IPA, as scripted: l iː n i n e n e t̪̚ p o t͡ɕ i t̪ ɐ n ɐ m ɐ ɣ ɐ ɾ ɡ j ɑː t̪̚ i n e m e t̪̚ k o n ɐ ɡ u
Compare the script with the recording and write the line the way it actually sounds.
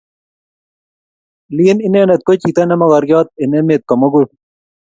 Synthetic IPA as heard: l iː n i n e n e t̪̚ k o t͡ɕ i t̪ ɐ n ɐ m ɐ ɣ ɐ ɾ ɡ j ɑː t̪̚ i n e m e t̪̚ k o m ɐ ɡ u